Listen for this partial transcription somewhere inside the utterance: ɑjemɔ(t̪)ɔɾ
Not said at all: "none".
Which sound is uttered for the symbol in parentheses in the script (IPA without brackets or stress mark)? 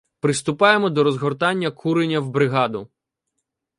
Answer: d̪